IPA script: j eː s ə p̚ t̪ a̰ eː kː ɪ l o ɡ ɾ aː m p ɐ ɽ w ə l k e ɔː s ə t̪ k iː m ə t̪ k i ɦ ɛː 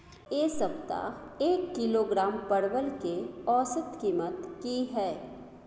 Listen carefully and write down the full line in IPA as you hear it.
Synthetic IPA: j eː s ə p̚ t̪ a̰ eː kː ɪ l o ɡ ɾ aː m p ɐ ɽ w ə l k e ɔː s ə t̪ k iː m ə t̪ k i ɦ ɛː